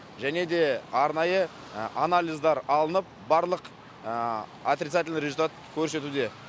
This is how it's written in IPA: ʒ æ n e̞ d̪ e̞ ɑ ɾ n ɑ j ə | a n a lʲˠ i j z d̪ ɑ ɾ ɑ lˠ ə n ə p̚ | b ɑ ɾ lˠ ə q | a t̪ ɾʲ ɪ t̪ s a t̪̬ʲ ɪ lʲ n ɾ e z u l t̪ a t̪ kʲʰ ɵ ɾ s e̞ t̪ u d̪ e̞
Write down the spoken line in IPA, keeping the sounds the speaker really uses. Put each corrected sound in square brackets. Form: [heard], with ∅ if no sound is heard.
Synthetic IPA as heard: ʒ æ n e̞ d̪ e̞ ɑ ɾ n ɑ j ə | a n a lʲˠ i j z d̪ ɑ ɾ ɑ lˠ ə n ə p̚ | b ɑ ɾ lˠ ə q | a t̪ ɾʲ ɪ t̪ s a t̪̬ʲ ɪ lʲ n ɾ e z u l t̪ a t̪ kʲʰ ɵ ɾ s e̞ t̪ u d̪ e̞